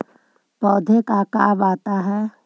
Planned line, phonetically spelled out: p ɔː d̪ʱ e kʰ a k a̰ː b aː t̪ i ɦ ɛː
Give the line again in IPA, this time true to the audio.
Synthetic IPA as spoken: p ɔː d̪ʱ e k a k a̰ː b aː t̪ a ɦ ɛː